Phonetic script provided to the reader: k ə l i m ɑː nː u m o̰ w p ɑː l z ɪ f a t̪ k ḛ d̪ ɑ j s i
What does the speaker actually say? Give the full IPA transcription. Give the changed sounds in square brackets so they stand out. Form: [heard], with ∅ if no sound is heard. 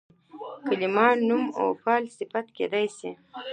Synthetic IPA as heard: k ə l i m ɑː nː u m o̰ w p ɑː l [s] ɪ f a t̪ k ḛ d̪ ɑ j s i